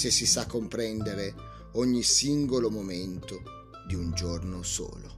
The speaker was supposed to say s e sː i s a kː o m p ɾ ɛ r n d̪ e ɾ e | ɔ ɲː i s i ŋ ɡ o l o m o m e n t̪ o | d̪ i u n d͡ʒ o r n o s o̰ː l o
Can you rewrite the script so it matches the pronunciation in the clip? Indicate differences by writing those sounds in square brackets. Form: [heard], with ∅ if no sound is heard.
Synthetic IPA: s e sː i s a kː o m p ɾ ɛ [∅] n d̪ e ɾ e | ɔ ɲː i s i ŋ ɡ o l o m o m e n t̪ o | d̪ i u n d͡ʒ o r n o s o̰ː l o